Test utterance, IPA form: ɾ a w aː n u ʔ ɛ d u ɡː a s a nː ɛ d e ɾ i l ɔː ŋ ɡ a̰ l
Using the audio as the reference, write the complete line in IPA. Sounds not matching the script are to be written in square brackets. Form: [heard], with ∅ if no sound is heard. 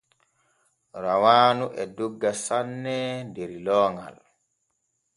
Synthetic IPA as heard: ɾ a w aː n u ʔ ɛ d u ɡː a s a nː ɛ d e ɾ i l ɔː ŋ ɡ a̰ l